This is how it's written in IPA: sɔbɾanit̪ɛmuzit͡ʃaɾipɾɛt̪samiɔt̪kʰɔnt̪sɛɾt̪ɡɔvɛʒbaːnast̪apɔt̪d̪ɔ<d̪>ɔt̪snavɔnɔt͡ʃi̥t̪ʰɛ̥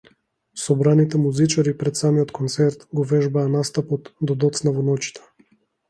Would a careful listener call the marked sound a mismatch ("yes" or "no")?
no